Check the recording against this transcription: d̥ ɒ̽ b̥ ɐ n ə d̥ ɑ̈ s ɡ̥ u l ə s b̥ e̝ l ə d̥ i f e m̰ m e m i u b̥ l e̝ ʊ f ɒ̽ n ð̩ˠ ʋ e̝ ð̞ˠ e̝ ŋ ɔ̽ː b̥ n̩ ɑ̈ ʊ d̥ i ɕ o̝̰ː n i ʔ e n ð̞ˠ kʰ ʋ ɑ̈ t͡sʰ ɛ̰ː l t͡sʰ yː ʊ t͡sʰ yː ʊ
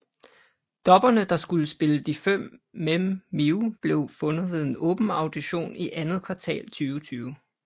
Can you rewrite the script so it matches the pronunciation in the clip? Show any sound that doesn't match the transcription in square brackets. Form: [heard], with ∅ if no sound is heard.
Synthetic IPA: d̥ ɒ̽ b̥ ɐ n ə d̥ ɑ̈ s ɡ̥ u l ə s b̥ e̝ l ə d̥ i f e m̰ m e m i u b̥ l e̝ ʊ f [ɔ̽] n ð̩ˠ ʋ e̝ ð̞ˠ e̝ [n] ɔ̽ː b̥ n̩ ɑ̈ ʊ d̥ i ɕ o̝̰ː n i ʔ [æ] n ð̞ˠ kʰ ʋ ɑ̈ t͡sʰ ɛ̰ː l t͡sʰ yː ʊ t͡sʰ yː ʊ

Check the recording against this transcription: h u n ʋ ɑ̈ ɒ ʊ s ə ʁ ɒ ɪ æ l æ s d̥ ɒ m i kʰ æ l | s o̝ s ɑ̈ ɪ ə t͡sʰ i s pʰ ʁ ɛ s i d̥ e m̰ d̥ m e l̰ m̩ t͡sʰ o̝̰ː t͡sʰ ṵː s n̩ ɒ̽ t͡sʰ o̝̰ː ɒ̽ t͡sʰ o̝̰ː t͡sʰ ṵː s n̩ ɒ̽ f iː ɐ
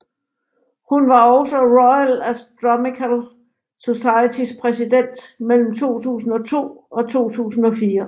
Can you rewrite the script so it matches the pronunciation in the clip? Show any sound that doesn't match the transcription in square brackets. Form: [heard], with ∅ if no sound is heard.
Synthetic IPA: h u n ʋ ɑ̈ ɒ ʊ s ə ʁ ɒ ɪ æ l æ s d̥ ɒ m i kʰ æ l | s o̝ s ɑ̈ ɪ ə t͡sʰ i s pʰ ʁ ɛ s i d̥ e [n̰] d̥ m e l̰ m̩ t͡sʰ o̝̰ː t͡sʰ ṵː s n̩ ɒ̽ t͡sʰ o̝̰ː ɒ̽ t͡sʰ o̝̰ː t͡sʰ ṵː s n̩ ɒ̽ f iː ɐ

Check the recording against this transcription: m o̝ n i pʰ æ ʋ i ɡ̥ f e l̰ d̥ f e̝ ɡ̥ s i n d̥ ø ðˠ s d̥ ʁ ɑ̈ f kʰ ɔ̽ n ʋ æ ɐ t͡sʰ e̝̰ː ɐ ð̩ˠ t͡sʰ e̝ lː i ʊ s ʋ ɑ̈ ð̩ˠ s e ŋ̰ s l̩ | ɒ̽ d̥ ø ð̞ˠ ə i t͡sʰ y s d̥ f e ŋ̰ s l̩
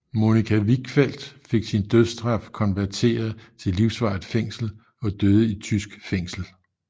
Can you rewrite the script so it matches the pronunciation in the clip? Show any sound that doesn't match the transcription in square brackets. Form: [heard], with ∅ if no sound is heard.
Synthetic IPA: m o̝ n i [kʰ] æ ʋ i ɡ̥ f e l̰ d̥ f e̝ ɡ̥ s i n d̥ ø ðˠ s d̥ ʁ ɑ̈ f kʰ [ɒ̽] n ʋ æ ɐ t͡sʰ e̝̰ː ɐ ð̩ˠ t͡sʰ e̝ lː i ʊ s ʋ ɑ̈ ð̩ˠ [f] e ŋ̰ s l̩ | ɒ̽ d̥ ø ð̞ˠ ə i t͡sʰ y s [ɡ̥] f e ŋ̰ s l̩

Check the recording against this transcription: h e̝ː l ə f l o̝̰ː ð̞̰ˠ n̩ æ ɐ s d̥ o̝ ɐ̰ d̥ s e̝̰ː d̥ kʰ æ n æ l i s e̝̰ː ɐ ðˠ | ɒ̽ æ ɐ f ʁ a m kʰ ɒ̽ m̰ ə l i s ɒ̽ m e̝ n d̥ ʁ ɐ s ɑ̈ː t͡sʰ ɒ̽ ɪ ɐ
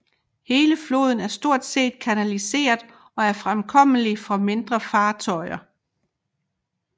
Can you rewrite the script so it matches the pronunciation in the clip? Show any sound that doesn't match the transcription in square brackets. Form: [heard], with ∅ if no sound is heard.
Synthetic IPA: h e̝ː l ə f l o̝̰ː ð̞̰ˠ n̩ æ ɐ s d̥ o̝ ɐ̰ d̥ s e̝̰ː d̥ kʰ æ n æ l i s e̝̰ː ɐ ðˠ | ɒ̽ æ ɐ f ʁ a m kʰ ɒ̽ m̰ ə l i [f] ɒ̽ m e̝ n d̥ ʁ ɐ [f] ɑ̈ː t͡sʰ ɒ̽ ɪ ɐ

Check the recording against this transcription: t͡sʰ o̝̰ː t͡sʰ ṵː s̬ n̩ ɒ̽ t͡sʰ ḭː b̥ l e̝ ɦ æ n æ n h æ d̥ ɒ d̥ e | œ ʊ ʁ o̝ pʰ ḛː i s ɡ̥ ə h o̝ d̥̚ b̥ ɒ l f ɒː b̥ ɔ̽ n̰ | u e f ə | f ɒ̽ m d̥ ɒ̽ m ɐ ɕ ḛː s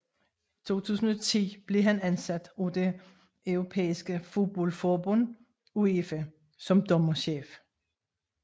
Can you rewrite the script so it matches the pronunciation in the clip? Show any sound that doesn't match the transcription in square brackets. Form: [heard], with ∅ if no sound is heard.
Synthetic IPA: t͡sʰ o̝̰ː t͡sʰ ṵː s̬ n̩ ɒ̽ t͡sʰ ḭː b̥ l e̝ ɦ æ n æ n [s] æ d̥ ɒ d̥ e | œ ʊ ʁ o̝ pʰ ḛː i s ɡ̥ ə [f] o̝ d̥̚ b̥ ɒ l f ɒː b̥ ɔ̽ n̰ | u e f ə | [s] ɒ̽ m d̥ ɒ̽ m ɐ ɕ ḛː [f]

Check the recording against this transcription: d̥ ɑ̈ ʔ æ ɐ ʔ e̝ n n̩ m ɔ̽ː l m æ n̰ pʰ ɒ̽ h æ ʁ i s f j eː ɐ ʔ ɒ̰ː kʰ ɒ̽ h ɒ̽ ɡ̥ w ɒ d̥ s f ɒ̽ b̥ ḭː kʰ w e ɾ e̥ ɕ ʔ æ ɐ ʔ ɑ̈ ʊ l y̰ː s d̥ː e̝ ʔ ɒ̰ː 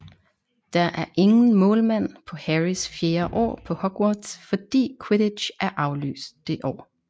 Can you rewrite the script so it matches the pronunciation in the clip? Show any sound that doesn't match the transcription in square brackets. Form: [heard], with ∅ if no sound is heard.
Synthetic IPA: d̥ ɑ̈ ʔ æ ɐ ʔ e̝ [ŋ] n̩ m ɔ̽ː l m æ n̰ pʰ ɒ̽ h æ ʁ i s f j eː ɐ ʔ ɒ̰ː [pʰ] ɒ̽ h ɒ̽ ɡ̥ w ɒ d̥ s f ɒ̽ [d̥] ḭː kʰ w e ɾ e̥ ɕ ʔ æ ɐ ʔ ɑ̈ ʊ l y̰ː s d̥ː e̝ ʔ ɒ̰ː

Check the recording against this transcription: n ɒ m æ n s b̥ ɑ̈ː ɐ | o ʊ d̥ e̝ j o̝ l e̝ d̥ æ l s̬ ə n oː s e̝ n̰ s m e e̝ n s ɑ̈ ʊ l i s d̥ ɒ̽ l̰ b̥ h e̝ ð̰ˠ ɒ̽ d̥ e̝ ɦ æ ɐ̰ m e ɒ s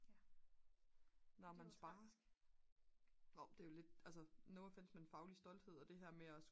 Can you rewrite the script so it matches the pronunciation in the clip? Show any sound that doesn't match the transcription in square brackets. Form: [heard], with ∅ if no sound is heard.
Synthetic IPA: n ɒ m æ n s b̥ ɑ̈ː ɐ | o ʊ d̥ e̝ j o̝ l e̝ d̥ æ l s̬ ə n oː [f] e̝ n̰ s m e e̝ n [f] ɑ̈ ʊ l i s d̥ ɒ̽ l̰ [d̥] h e̝ ð̰ˠ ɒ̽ d̥ e̝ ɦ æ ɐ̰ m e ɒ s

